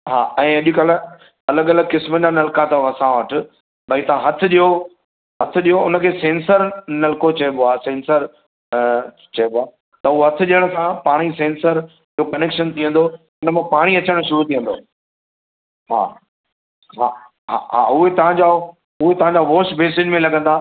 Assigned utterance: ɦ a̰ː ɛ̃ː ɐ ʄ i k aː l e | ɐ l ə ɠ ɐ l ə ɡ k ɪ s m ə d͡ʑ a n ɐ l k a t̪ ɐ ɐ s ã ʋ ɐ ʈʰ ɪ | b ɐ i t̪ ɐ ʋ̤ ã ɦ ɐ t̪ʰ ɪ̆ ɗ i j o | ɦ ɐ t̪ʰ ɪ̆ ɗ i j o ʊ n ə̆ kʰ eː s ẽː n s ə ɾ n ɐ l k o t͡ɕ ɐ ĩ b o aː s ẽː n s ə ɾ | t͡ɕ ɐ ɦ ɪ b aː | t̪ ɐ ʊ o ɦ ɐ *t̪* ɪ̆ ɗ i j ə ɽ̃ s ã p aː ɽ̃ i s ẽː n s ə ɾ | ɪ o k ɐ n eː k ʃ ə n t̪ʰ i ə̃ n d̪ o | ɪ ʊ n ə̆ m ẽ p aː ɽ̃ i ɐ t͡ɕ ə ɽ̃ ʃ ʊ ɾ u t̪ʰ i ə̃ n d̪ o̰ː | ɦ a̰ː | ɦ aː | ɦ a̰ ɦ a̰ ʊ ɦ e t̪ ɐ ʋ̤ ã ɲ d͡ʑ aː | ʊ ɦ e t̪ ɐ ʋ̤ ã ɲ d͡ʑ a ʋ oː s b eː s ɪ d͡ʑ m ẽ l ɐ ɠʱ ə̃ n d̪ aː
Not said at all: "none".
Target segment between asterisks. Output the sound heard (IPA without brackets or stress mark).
t̪ʰ